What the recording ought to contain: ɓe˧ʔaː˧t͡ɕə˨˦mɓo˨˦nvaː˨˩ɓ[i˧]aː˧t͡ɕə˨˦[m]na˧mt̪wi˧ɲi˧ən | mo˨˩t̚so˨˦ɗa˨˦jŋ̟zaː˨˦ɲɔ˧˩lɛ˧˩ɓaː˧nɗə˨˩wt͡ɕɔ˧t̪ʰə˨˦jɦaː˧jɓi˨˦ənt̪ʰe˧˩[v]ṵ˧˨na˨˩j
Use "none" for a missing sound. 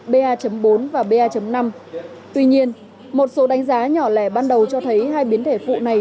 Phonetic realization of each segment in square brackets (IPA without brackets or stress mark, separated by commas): e˧, m, f